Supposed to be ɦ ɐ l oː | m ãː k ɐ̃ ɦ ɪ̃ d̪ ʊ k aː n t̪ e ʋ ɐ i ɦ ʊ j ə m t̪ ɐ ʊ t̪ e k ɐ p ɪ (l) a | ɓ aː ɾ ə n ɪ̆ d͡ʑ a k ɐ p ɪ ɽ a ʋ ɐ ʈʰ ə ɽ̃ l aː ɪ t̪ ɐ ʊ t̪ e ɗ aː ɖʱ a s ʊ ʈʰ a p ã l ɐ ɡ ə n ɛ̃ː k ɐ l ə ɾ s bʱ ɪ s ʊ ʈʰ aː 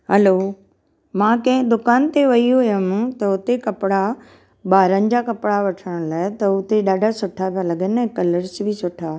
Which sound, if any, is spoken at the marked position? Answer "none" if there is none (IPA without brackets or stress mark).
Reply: ɽ